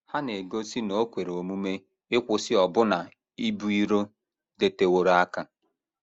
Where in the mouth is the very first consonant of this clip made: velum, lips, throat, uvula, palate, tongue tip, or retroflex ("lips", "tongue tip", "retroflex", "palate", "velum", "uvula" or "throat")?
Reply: throat